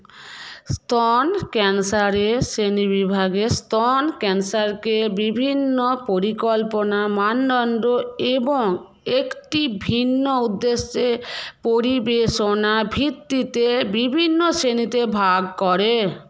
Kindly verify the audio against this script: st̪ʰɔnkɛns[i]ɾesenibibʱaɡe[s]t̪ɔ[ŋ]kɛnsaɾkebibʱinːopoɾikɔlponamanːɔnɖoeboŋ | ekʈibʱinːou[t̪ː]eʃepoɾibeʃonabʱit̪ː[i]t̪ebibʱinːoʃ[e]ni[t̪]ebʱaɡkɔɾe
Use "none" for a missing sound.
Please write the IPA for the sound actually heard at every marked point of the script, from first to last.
a, s, n, d̪ː, i, e, t̪

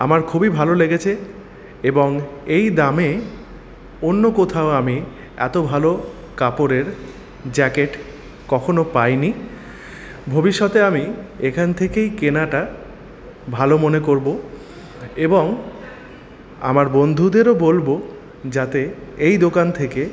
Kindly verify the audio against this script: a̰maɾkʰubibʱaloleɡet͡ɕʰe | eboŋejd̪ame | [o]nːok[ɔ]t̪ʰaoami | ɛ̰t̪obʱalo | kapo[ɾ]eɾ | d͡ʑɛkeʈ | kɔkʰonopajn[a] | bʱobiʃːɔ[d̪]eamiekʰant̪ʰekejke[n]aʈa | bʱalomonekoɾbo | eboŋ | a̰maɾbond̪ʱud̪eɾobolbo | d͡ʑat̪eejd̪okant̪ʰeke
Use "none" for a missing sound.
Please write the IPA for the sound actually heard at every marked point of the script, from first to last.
o, o, ɾ, i, t̪, n

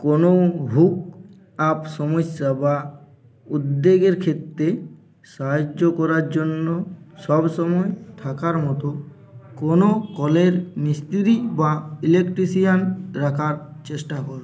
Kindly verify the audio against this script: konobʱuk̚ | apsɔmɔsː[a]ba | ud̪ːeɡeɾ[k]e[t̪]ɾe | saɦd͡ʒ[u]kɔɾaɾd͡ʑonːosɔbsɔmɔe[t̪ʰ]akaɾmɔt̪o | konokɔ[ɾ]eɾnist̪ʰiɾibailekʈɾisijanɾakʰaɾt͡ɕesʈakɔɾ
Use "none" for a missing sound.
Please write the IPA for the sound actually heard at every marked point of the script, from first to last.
a, kʰ, t̪, o, t̪ʰ, l

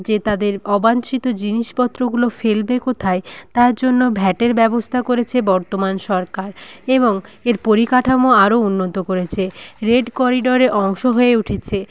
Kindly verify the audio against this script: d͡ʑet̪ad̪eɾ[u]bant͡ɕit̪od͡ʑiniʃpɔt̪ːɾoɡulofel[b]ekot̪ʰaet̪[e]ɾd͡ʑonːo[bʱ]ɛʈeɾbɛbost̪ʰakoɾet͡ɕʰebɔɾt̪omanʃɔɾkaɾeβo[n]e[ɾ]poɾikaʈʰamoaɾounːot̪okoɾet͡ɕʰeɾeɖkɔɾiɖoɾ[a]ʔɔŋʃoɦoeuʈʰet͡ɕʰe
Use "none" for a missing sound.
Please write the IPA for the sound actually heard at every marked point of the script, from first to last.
ɔ, b, a, bʱ, ŋ, ɾ, e

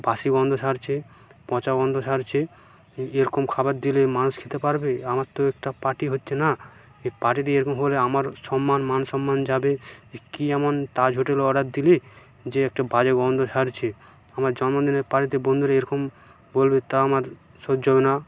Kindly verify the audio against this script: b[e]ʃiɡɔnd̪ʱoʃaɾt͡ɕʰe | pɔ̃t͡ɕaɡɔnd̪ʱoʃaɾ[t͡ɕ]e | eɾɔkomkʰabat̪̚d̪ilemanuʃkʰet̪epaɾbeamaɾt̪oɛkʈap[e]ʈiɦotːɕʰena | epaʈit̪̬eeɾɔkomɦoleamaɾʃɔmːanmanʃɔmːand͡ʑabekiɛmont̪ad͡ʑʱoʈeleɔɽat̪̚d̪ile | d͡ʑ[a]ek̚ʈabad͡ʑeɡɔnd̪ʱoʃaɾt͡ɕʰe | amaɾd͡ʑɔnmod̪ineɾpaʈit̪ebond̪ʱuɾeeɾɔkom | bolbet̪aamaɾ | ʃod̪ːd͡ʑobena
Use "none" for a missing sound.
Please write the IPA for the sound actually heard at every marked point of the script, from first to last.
a, t͡ɕʰ, a, e

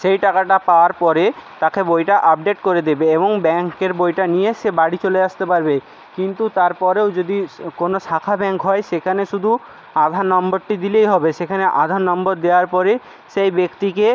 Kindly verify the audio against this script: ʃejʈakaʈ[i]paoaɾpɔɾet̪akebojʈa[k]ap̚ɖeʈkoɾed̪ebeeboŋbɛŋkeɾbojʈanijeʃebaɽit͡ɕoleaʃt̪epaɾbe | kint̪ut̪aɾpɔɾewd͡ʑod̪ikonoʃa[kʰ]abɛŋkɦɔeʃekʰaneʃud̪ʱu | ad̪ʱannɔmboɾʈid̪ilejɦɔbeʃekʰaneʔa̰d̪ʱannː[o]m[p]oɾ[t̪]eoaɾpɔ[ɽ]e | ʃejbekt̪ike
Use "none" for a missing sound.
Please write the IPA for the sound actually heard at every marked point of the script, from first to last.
a, ʔ, kʰ, ɔ, b, d̪, ɾ

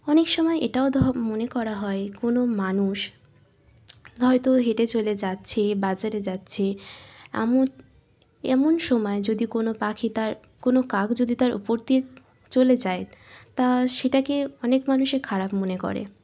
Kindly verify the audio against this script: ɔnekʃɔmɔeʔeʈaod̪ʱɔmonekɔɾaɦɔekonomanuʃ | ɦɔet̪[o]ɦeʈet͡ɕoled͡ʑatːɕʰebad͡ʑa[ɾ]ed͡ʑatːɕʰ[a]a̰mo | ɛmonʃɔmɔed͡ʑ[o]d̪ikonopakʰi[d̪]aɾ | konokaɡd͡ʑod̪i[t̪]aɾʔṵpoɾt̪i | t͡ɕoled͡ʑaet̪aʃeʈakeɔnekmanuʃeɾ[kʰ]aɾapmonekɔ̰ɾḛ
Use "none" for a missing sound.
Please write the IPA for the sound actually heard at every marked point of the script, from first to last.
o, ɾ, e, o, t̪, t̪, kʰ

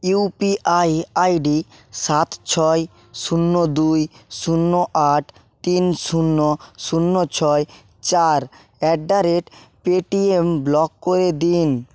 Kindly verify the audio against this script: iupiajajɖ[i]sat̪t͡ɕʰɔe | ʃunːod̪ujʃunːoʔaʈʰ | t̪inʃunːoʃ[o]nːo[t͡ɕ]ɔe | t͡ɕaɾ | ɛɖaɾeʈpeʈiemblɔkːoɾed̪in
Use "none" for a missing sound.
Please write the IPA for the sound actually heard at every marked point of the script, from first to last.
i, u, t͡ɕʰ

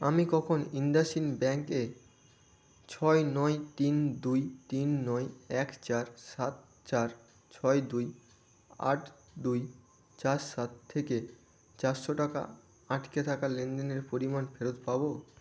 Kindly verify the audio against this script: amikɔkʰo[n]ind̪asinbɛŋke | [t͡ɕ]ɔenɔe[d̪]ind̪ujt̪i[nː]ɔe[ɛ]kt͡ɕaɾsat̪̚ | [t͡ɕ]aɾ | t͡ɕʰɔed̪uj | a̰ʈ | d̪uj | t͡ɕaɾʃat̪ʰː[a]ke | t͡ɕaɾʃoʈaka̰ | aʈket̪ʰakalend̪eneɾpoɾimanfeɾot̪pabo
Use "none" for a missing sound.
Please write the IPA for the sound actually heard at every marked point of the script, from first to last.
n, t͡ɕʰ, t̪, nː, ɛ, t͡ɕ, e

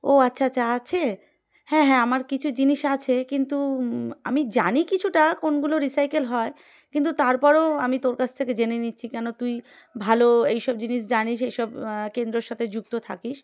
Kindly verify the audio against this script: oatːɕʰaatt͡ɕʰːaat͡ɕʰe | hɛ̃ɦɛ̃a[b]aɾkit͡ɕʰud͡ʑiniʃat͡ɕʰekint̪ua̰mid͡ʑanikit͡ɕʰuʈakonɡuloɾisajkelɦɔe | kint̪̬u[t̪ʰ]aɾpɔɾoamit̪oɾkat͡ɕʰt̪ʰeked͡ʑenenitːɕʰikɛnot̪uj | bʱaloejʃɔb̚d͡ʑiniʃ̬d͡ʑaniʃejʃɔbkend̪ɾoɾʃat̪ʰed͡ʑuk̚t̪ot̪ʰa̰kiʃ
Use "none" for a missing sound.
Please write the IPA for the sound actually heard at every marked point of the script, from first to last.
m, t̪

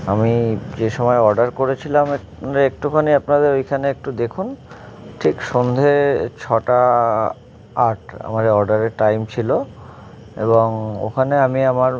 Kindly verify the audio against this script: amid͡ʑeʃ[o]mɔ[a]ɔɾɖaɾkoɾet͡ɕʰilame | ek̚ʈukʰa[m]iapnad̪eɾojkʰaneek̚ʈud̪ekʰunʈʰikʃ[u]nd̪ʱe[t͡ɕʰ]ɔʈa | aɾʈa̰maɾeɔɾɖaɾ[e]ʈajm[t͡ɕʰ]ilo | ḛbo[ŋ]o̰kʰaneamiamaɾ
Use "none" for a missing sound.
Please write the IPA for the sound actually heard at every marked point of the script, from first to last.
ɔ, e, n, o, t͡ɕʰ, e, t͡ɕʰ, ŋ

